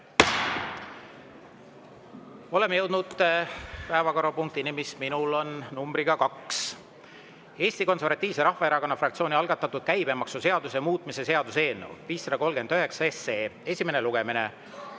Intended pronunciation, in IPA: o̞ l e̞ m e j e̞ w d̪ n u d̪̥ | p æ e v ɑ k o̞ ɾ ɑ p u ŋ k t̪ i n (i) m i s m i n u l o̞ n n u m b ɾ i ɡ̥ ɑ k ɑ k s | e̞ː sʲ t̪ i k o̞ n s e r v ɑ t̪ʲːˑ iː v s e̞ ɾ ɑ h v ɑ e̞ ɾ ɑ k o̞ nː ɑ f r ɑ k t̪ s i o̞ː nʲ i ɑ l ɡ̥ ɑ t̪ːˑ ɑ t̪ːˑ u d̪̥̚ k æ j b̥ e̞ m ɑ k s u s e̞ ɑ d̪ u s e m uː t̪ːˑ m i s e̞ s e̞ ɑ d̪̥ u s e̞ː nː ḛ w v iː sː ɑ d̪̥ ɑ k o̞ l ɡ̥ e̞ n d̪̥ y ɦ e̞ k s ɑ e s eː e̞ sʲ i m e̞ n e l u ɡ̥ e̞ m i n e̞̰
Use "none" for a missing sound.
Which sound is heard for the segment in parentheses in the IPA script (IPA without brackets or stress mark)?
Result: i